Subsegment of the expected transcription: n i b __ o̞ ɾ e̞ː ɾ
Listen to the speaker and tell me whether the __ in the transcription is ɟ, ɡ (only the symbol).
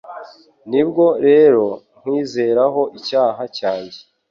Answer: ɡ